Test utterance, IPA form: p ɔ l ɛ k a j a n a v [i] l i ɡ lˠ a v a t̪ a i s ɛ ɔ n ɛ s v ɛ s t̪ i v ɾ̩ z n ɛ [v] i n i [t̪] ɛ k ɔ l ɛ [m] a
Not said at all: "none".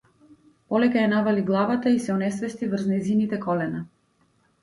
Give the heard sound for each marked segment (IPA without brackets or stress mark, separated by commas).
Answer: a, z, t̪, n